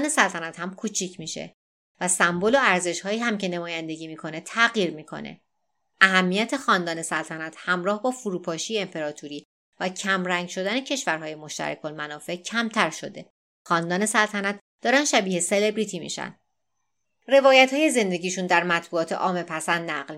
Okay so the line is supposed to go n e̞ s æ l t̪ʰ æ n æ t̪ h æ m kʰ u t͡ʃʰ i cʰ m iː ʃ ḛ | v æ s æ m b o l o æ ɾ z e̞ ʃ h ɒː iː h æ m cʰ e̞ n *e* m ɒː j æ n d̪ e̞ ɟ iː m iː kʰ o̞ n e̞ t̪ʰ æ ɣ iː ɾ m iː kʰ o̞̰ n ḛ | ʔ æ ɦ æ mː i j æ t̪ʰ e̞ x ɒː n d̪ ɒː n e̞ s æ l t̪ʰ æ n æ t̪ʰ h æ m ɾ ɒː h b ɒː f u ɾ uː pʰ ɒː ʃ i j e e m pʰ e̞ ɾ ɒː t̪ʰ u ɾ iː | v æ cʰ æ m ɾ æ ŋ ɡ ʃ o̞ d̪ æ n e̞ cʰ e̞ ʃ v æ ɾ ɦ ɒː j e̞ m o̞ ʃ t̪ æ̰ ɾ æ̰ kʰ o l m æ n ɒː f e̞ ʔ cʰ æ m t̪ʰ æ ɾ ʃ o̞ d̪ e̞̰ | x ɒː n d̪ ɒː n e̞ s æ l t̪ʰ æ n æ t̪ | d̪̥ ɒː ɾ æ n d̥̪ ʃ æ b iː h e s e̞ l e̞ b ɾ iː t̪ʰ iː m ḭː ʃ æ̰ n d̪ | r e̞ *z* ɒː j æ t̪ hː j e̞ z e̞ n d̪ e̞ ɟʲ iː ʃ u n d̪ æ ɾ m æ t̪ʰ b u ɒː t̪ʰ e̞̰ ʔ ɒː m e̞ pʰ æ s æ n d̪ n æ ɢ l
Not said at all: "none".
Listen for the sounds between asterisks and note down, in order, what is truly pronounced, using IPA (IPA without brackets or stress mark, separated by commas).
e, v